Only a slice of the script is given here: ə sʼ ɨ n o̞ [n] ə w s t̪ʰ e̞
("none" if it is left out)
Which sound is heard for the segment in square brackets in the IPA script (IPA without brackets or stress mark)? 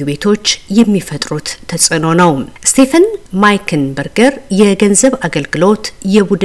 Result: n